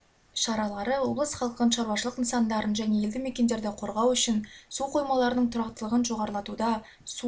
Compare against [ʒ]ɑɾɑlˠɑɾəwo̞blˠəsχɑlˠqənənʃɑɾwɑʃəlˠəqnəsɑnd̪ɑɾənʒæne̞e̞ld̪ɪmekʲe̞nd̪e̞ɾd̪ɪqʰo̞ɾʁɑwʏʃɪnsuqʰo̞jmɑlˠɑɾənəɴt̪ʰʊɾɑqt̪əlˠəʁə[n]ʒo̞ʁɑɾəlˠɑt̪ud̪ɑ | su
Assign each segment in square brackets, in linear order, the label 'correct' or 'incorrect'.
incorrect, correct

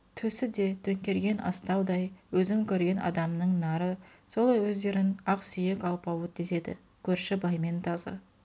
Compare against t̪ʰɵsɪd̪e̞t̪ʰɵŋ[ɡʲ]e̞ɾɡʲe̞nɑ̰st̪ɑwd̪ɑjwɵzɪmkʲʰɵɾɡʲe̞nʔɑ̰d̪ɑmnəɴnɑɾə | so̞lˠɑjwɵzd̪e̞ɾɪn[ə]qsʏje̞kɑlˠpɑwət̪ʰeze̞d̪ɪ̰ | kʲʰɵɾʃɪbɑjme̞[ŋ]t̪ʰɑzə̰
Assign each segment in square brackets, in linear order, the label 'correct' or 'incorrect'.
incorrect, incorrect, incorrect

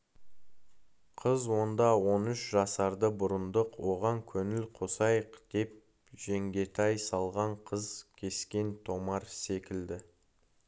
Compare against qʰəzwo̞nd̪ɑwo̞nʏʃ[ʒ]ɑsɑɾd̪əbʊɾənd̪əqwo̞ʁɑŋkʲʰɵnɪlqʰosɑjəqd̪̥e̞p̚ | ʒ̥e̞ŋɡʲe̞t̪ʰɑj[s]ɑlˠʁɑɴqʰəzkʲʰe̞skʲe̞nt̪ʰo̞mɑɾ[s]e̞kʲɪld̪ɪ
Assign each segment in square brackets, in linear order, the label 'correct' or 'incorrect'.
correct, correct, correct

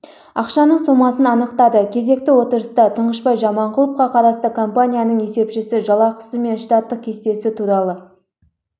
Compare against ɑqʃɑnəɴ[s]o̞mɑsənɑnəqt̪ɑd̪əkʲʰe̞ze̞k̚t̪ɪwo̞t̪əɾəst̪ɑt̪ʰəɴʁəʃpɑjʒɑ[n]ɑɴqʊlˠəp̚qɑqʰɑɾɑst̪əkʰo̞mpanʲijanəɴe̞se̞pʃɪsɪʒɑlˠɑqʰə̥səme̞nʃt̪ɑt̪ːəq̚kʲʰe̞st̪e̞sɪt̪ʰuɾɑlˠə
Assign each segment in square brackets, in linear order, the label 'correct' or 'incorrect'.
correct, incorrect

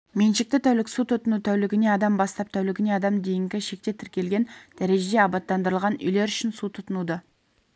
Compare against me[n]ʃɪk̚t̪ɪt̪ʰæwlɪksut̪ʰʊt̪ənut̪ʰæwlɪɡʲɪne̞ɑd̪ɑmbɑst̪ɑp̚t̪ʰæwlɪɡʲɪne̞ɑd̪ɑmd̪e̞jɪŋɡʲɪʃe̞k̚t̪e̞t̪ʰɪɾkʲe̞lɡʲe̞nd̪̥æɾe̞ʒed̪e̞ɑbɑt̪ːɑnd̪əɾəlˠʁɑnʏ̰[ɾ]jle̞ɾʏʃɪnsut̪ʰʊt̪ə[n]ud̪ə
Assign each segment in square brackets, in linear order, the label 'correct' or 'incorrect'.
correct, incorrect, correct

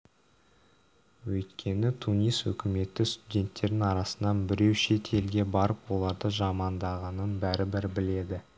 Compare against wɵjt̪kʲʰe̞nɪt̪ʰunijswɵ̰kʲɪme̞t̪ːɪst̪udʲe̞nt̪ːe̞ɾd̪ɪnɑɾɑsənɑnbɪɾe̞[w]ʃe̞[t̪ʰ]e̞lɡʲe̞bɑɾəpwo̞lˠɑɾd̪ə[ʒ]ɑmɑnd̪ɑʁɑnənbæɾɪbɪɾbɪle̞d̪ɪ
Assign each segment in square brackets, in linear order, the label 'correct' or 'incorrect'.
correct, correct, correct

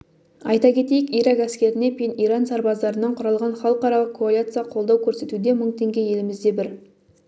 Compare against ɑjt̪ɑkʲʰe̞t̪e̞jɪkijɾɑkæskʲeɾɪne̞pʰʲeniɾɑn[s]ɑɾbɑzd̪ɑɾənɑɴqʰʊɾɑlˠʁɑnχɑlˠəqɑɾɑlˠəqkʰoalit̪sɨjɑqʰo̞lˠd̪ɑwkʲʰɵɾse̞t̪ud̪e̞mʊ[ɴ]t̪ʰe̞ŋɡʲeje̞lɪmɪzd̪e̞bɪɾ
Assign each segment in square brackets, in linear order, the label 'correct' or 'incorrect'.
correct, correct

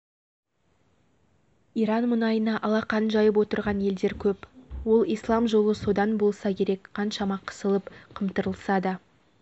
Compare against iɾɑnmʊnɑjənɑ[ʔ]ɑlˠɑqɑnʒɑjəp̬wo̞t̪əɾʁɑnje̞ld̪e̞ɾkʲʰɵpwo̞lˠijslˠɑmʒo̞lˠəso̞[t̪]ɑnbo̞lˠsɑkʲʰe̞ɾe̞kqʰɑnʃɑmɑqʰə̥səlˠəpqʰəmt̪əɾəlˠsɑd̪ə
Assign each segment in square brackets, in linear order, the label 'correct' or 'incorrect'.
correct, incorrect

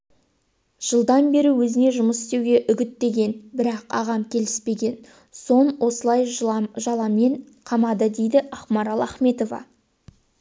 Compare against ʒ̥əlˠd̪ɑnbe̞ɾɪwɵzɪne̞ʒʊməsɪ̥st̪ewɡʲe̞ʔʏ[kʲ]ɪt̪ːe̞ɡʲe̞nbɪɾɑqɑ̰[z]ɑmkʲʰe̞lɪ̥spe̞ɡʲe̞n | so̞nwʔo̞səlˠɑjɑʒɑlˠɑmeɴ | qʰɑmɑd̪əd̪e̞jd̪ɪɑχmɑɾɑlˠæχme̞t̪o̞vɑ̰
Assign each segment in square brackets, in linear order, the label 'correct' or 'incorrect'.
incorrect, incorrect

